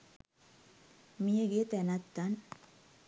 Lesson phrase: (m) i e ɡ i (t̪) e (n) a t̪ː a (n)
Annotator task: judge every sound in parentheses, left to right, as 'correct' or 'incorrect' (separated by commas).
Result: correct, correct, correct, correct